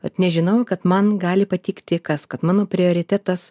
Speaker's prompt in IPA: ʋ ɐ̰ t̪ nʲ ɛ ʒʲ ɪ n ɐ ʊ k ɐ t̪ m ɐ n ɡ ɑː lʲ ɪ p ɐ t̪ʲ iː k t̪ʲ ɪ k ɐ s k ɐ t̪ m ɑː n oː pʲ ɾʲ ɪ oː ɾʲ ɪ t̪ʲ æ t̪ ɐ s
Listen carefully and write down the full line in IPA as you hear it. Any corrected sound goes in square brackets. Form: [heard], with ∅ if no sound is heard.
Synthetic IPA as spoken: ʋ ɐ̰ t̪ nʲ ɛ ʒʲ ɪ n ɐ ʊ k ɐ t̪ m ɐ n ɡ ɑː lʲ ɪ p ɐ t̪ʲ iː k t̪ʲ ɪ k ɐ s k ɐ t̪ m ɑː n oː pʲ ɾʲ ɪ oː ɾʲ ɪ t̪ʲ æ t̪ ɐ s